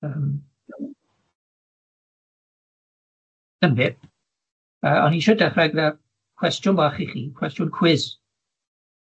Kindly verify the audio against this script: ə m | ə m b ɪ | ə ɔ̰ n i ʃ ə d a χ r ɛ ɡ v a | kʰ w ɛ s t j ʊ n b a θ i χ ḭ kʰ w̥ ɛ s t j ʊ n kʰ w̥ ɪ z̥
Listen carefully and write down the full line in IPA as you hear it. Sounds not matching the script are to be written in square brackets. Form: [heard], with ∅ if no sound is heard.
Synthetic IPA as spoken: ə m | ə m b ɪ | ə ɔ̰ n i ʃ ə d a χ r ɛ ɡ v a | kʰ w ɛ s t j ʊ n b a [χ] i χ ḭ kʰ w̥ ɛ s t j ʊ n kʰ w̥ ɪ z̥